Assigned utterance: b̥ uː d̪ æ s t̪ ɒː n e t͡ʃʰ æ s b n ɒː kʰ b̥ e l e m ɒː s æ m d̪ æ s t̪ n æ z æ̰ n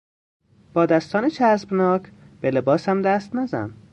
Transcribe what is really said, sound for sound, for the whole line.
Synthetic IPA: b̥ ɒː d̪ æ s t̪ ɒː n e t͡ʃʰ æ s b n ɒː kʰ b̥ e l e b ɒː s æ m d̪ æ s t̪ n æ z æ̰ n